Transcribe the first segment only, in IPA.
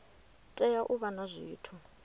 tʼ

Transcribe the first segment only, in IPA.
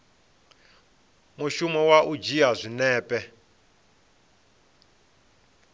m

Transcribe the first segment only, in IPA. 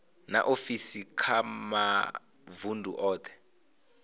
n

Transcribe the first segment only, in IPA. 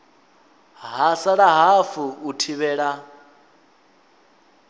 ɦ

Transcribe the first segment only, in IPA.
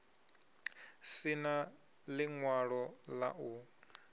s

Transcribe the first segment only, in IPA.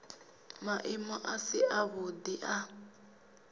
m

